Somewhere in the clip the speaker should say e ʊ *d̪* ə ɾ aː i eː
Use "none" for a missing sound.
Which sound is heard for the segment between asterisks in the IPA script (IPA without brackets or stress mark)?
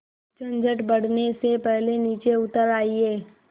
t̪